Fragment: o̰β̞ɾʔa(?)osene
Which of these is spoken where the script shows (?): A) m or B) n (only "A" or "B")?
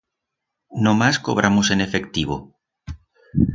A